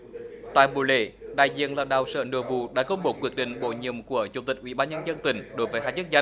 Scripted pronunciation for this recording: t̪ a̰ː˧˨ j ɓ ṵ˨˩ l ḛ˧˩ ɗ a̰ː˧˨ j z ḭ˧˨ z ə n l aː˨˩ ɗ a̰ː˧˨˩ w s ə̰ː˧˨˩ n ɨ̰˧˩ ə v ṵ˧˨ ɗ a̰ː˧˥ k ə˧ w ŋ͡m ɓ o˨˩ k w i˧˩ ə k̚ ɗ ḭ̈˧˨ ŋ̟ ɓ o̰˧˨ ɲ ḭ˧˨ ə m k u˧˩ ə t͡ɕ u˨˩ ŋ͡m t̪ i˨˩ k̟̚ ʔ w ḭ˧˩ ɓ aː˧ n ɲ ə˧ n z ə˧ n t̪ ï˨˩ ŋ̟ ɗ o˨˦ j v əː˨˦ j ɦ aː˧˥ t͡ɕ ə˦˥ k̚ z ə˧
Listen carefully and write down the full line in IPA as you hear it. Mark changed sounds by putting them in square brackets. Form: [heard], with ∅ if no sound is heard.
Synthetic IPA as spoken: t̪ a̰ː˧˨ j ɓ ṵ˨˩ l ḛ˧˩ ɗ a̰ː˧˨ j z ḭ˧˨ [∅] ə n l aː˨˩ ɗ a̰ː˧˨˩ w s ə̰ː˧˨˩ n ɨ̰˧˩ ə v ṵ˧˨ ɗ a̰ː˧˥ k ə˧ w ŋ͡m ɓ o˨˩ k w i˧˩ ə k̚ ɗ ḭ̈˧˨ ŋ̟ ɓ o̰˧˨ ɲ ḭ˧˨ ə m k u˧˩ ə t͡ɕ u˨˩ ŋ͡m t̪ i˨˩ k̟̚ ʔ w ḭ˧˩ ɓ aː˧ n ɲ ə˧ n z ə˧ n t̪ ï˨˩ ŋ̟ ɗ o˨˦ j v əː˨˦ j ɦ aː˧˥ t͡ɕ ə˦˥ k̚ z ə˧

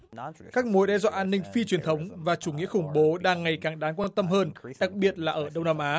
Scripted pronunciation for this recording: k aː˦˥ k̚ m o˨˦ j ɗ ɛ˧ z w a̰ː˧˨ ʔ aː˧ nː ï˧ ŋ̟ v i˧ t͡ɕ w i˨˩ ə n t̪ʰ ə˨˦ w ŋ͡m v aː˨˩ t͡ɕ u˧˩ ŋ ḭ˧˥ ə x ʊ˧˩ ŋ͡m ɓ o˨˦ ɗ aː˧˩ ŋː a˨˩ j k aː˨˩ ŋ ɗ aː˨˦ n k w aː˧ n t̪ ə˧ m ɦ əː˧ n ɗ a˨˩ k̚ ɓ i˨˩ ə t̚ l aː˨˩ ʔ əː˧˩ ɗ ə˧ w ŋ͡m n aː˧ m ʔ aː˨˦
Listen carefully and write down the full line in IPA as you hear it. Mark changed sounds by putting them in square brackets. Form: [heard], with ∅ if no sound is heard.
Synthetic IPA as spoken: k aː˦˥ k̚ m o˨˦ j ɗ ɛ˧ z w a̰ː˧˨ ʔ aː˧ nː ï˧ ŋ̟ [f] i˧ t͡ɕ w i˨˩ ə n t̪ʰ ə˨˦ w ŋ͡m v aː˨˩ t͡ɕ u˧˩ ŋ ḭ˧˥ ə x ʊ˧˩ ŋ͡m ɓ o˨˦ ɗ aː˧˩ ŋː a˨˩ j k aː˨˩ ŋ ɗ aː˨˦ n k w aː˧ n t̪ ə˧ m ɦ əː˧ n ɗ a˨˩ k̚ ɓ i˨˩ ə t̚ l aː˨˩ ʔ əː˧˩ ɗ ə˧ w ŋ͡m n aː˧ m ʔ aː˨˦

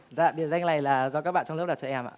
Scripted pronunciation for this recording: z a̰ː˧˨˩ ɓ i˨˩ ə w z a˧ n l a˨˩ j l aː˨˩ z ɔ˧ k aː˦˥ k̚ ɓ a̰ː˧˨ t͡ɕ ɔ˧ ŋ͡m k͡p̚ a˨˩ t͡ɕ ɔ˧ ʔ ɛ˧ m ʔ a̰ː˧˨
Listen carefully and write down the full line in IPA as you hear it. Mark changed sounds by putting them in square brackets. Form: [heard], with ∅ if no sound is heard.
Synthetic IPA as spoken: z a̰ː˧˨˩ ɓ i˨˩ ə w z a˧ [ŋ] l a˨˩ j l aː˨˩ z ɔ˧ k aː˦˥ k̚ ɓ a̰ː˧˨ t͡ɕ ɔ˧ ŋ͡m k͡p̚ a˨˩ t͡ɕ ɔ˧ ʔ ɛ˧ m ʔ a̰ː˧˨

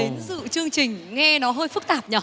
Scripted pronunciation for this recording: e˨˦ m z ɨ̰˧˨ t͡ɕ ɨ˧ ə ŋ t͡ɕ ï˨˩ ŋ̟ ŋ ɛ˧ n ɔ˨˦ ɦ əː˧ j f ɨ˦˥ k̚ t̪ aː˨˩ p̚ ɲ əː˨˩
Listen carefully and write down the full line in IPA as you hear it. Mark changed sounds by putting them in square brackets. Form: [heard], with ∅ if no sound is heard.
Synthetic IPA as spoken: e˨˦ [n] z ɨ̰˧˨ t͡ɕ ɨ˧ ə ŋ t͡ɕ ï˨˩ ŋ̟ ŋ ɛ˧ n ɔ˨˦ ɦ əː˧ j f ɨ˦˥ k̚ t̪ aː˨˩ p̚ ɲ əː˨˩

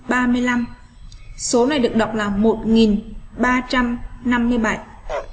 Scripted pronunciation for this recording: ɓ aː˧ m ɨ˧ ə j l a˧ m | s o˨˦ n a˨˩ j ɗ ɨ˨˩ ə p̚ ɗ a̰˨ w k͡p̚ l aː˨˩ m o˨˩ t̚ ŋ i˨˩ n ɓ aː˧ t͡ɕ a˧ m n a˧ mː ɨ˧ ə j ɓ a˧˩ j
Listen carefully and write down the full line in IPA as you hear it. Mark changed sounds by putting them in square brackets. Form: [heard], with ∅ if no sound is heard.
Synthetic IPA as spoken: ɓ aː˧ m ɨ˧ ə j l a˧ m | s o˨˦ n a˨˩ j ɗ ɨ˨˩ ə [k̚] ɗ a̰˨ w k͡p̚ l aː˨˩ m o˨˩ t̚ ŋ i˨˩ n ɓ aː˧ t͡ɕ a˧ m n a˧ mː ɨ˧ ə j ɓ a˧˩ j

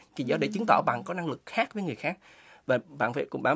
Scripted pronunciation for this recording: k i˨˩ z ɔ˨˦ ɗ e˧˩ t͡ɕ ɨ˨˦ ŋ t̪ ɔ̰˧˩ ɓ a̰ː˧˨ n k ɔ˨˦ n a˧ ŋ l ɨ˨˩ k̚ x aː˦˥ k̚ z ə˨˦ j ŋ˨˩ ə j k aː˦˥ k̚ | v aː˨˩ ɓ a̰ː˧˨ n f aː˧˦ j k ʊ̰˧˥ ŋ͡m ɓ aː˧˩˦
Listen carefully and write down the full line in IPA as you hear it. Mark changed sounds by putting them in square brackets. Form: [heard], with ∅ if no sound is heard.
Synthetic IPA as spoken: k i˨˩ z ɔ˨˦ ɗ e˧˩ t͡ɕ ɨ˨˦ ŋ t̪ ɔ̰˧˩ ɓ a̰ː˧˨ n k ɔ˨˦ n a˧ ŋ l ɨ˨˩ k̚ x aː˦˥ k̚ [v] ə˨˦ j ŋ˨˩ ə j [x] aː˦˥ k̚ | v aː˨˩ ɓ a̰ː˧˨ n f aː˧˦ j k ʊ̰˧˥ ŋ͡m ɓ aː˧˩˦

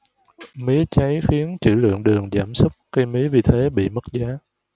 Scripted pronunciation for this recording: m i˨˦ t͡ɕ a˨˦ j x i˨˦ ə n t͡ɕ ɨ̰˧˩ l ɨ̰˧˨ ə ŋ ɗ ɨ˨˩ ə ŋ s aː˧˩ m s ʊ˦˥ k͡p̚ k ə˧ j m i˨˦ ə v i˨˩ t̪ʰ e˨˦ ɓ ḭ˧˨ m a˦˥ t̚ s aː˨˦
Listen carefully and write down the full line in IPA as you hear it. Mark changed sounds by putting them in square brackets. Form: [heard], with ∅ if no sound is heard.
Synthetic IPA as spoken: m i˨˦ t͡ɕ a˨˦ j x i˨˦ ə n t͡ɕ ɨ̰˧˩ l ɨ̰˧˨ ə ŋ ɗ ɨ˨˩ ə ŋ [z] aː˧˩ m s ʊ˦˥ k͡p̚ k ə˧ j m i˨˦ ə v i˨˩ t̪ʰ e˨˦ ɓ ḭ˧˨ m [ə˦˥] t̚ [z] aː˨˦

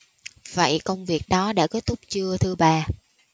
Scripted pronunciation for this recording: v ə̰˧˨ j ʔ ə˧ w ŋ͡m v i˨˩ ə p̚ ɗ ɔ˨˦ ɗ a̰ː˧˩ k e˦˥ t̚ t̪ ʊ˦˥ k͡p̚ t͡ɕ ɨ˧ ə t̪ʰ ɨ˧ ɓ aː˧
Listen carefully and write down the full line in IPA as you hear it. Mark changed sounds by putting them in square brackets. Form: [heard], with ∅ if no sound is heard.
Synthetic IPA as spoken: v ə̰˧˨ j [k] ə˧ w ŋ͡m v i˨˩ ə [k̚] ɗ ɔ˨˦ ɗ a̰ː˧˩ k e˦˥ t̚ t̪ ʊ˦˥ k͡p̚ t͡ɕ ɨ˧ ə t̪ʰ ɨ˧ ɓ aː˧

